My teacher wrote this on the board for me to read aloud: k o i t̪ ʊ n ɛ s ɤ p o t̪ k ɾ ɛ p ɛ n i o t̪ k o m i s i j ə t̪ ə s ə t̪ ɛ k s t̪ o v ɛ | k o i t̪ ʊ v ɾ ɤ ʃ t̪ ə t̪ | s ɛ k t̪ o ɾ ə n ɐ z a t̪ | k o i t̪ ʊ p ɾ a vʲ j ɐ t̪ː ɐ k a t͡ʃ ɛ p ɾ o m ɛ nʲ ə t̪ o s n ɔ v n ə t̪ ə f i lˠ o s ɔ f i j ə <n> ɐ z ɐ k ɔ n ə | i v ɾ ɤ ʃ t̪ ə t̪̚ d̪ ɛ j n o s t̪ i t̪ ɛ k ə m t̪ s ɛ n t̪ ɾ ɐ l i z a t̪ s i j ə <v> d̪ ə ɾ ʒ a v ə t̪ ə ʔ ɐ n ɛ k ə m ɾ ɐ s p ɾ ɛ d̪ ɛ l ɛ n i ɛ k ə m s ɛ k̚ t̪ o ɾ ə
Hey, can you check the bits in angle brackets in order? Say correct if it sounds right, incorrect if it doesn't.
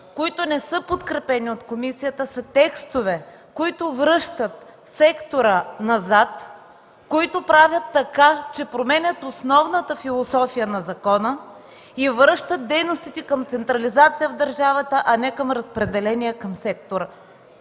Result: correct, correct

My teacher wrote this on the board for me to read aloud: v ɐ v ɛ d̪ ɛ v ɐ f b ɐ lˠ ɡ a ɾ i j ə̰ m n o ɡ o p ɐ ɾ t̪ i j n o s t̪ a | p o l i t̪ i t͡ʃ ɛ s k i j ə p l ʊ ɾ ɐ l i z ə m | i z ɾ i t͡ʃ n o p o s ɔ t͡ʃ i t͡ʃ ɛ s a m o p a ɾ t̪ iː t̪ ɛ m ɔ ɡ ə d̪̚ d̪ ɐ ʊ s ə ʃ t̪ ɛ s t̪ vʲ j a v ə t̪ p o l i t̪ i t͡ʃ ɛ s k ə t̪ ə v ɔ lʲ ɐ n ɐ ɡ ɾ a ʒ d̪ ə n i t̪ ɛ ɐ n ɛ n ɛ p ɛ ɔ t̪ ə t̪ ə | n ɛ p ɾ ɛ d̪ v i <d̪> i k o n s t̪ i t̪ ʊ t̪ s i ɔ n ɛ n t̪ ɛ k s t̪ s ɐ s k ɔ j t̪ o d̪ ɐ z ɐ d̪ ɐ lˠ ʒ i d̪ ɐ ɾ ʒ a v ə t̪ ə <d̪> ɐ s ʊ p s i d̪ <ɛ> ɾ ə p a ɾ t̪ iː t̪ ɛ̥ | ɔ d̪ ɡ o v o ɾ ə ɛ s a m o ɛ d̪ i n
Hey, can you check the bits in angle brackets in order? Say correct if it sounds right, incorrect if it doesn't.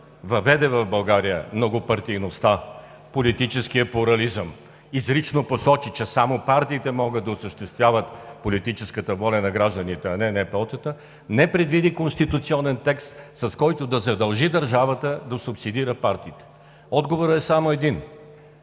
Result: correct, correct, incorrect: i

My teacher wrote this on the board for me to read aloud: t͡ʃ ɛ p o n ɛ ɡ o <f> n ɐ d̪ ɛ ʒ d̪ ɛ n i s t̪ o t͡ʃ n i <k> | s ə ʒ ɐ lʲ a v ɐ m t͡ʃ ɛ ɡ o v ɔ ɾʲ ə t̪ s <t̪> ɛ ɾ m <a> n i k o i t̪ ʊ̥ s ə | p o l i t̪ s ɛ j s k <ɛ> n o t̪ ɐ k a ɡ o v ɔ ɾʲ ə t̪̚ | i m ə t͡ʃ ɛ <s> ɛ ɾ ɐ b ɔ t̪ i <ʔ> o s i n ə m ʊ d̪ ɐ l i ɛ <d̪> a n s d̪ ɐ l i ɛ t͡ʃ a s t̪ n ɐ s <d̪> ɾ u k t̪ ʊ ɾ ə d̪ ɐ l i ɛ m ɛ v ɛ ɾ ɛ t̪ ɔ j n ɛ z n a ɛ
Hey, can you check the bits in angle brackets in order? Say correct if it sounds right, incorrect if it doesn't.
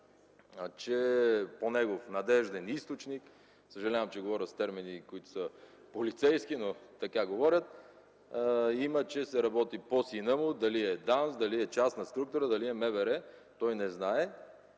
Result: correct, correct, correct, incorrect: i, incorrect: i, correct, incorrect: p, correct, incorrect: t̪

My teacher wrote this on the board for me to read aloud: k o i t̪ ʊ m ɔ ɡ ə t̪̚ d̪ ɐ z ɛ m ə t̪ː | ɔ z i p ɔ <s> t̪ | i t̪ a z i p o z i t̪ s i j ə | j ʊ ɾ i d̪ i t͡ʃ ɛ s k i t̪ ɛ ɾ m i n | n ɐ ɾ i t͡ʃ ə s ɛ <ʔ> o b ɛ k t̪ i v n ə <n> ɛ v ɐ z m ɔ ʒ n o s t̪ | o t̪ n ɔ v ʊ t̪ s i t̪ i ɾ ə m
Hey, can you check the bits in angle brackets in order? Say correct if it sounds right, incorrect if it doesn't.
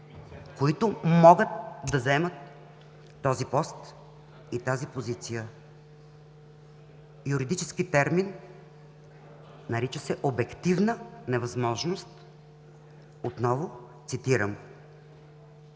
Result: correct, correct, correct

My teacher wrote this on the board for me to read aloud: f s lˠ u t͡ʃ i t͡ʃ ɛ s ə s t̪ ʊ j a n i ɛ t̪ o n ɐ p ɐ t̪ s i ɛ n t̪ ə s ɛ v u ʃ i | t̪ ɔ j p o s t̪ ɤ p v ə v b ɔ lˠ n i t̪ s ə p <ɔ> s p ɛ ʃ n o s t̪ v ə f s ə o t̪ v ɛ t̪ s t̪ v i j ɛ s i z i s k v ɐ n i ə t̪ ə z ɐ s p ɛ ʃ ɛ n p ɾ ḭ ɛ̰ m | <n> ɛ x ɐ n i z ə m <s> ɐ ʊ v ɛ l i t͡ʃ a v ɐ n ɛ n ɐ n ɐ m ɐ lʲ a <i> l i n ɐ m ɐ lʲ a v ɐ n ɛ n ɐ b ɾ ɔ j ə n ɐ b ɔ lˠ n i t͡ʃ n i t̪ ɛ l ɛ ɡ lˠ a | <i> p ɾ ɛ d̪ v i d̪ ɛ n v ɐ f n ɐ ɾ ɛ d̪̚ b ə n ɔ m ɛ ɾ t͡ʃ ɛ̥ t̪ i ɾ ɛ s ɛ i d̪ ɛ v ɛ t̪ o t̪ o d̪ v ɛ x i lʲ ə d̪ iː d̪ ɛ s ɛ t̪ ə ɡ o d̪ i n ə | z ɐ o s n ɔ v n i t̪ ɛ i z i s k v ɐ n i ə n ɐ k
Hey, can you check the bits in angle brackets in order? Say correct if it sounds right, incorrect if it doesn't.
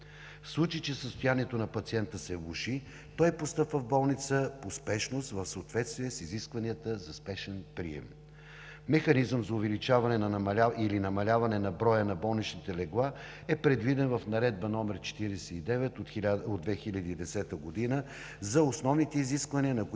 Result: incorrect: o, incorrect: m, incorrect: z, correct, incorrect: ɛ

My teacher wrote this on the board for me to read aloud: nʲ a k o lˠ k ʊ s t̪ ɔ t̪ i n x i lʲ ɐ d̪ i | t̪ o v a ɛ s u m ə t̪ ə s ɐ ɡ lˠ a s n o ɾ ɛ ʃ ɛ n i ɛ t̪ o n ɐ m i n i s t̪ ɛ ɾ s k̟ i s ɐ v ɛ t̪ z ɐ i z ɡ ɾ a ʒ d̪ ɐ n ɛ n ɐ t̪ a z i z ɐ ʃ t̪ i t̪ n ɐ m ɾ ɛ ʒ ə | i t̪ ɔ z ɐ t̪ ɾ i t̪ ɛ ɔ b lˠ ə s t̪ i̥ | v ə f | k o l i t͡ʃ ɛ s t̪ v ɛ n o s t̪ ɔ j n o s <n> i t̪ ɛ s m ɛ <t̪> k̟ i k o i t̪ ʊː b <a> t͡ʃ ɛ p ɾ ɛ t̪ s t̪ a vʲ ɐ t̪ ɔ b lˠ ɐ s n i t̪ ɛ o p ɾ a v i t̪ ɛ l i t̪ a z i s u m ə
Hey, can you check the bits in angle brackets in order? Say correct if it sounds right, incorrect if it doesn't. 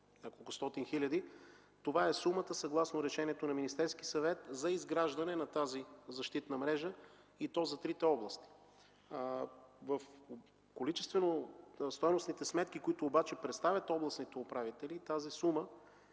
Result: correct, correct, correct

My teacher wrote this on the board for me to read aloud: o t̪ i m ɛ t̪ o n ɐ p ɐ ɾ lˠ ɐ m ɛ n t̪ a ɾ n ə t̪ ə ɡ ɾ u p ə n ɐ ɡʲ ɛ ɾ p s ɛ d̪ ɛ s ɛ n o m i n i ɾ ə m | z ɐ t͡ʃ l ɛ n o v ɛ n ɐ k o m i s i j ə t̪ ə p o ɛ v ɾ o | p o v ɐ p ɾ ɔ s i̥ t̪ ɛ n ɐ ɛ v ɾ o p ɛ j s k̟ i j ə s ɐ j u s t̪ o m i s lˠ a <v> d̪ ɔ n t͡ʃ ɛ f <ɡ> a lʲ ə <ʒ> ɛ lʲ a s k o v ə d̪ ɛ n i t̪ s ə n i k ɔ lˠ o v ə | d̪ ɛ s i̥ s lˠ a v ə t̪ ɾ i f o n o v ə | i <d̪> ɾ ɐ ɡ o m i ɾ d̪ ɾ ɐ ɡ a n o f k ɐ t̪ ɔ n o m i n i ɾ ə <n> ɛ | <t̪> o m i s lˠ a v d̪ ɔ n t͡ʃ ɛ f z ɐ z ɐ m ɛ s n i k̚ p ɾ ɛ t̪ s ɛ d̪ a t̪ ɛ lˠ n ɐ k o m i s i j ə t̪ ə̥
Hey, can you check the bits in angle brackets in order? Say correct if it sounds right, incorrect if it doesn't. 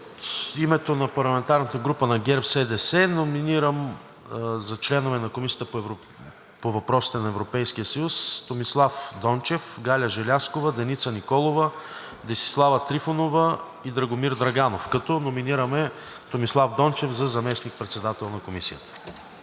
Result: incorrect: f, correct, correct, correct, incorrect: m, correct

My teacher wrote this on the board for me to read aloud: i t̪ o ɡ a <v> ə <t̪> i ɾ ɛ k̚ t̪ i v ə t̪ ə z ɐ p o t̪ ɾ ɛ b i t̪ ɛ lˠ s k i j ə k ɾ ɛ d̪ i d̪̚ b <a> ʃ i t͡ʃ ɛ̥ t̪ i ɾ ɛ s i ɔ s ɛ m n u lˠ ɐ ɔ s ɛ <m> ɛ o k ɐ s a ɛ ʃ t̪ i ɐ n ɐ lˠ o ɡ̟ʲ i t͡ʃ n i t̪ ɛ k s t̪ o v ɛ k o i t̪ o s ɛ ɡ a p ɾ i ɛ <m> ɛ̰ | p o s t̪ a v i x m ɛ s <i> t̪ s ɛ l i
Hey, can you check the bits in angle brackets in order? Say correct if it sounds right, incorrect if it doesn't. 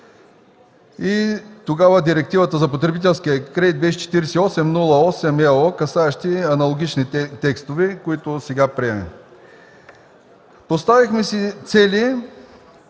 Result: correct, incorrect: d̪, incorrect: ɛ, correct, correct, correct

